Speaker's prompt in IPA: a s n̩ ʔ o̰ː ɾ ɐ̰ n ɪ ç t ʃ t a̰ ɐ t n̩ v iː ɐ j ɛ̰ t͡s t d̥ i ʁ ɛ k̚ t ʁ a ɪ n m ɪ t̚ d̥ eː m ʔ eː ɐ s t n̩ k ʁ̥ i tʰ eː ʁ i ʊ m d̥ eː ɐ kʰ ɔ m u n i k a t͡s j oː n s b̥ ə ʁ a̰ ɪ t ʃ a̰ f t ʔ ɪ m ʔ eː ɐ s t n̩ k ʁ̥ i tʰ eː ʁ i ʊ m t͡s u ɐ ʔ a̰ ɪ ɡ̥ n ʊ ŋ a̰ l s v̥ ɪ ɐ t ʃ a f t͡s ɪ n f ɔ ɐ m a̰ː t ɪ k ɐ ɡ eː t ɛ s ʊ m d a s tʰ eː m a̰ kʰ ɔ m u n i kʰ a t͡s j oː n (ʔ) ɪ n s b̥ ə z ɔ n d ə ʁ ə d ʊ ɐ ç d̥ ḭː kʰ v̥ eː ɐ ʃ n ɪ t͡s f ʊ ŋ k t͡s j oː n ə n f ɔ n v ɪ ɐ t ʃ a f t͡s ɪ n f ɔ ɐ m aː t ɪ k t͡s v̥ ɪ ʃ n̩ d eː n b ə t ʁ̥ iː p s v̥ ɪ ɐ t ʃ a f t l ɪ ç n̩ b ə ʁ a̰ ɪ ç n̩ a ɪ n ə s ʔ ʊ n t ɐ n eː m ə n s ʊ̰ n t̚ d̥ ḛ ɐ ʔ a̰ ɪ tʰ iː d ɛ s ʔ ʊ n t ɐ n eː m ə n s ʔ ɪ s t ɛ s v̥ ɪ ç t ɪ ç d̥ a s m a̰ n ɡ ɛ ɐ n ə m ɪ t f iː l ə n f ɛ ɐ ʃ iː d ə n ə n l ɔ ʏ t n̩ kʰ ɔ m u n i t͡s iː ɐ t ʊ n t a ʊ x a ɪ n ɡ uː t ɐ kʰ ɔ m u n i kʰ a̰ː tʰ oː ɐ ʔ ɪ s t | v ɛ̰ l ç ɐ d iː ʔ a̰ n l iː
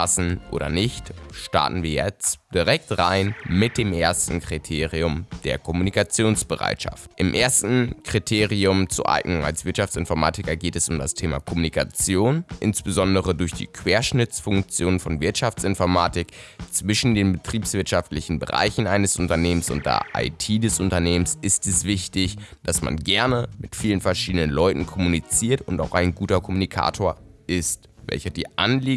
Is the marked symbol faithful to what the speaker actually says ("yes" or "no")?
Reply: yes